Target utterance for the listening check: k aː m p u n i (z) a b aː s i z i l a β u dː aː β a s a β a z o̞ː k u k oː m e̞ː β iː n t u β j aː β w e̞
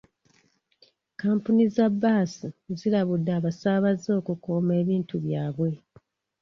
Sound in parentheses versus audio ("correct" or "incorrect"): correct